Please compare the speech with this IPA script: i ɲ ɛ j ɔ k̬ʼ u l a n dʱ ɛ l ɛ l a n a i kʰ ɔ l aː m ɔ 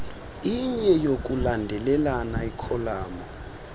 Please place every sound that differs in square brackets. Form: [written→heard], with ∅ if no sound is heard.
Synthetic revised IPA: i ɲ ɛ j [ɔ→o] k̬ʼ u l a n dʱ ɛ l ɛ l a n a i kʰ ɔ l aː m ɔ